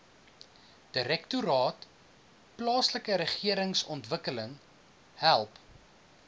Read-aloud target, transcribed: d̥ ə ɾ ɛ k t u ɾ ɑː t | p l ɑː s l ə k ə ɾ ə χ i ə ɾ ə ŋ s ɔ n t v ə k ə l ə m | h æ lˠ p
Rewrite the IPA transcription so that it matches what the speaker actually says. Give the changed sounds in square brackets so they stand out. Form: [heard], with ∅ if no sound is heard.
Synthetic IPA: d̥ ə ɾ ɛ k t u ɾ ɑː t | p l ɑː s l ə k ə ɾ ə χ i ə ɾ ə ŋ s ɔ n t v ə k ə l ə [ŋ] | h æ lˠ p